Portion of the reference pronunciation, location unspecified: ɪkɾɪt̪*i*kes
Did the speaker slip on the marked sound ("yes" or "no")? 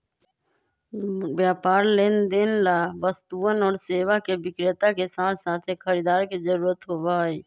yes